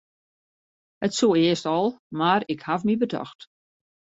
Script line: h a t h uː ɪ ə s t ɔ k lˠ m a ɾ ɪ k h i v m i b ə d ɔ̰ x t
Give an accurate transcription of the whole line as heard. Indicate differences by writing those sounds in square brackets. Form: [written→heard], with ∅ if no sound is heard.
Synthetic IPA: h [a→ə] t [h→s] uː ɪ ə s t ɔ [k→∅] lˠ m a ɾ ɪ k h [i→a] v m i b ə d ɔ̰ x t